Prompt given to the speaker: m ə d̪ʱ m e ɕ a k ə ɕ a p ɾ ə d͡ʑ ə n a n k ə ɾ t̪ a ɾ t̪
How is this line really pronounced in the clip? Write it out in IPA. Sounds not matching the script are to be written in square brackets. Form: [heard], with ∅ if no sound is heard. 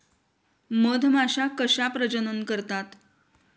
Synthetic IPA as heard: m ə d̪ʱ m [a] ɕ a k ə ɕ a p ɾ ə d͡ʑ ə n [ə] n k ə ɾ t̪ a [∅] t̪